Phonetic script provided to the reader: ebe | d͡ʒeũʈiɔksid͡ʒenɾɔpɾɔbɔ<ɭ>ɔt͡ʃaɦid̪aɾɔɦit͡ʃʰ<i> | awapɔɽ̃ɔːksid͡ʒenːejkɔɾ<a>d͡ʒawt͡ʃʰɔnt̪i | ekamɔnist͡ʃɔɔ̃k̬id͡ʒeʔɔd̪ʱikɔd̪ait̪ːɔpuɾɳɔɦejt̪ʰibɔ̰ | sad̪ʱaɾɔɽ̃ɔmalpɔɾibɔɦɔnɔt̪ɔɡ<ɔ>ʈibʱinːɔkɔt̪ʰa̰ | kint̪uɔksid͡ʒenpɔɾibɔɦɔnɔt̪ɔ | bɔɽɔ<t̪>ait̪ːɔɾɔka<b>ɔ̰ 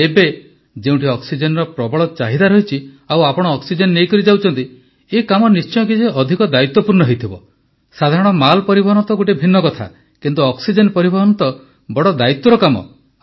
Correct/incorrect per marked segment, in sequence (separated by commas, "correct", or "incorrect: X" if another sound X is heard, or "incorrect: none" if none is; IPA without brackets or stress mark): correct, correct, incorrect: i, incorrect: o, incorrect: d̪, incorrect: m